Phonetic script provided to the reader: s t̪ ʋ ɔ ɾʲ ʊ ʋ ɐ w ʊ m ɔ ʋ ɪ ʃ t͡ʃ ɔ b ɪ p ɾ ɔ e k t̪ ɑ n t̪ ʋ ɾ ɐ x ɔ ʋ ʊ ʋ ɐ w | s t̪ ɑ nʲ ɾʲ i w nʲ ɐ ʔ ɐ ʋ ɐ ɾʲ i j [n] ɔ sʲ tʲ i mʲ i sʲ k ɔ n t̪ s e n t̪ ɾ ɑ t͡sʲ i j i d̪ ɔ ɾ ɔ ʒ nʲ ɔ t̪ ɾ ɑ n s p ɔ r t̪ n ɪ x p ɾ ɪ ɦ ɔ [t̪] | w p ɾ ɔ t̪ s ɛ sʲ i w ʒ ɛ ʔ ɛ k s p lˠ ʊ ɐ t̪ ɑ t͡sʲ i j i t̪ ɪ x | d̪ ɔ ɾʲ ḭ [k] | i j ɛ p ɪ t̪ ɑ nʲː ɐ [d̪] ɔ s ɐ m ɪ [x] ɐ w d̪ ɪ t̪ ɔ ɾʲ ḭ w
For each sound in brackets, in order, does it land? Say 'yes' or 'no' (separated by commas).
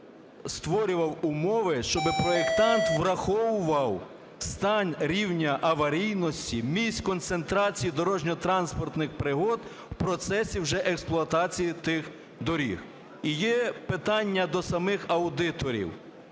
yes, no, no, yes, yes